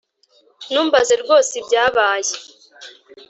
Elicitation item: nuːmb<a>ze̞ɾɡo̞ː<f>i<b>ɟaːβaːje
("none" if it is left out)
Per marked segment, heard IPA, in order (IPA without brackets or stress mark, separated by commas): a, s, b